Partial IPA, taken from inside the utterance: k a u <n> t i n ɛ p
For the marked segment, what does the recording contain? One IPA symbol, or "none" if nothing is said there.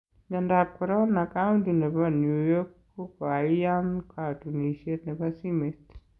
n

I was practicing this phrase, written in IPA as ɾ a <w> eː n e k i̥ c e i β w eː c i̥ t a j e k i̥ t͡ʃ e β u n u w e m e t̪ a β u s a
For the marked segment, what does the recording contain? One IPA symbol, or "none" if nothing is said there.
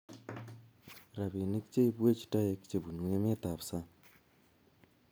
β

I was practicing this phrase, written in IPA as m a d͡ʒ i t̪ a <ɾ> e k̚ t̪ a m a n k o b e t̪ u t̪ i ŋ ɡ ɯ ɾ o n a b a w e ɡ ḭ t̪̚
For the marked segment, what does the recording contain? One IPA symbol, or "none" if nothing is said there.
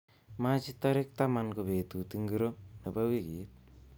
ɾ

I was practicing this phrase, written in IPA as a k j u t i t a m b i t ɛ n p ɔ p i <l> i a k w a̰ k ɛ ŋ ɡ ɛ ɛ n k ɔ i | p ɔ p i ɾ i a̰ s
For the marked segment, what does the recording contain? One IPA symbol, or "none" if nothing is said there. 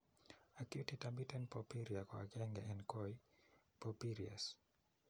ɾ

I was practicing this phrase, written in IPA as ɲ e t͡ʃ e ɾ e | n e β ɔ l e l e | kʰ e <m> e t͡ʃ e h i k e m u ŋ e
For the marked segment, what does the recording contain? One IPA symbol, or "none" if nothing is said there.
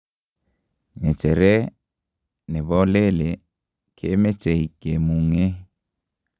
m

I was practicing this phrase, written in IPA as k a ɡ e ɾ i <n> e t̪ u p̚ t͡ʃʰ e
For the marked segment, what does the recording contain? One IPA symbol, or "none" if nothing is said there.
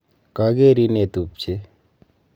n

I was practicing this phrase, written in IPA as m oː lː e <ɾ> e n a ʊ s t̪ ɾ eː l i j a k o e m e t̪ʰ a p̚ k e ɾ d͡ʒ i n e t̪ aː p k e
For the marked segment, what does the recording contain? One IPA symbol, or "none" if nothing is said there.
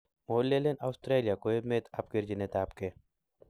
l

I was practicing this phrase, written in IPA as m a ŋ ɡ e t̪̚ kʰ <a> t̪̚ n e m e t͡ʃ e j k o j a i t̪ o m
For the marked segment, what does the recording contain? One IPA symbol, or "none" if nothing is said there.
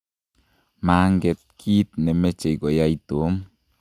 i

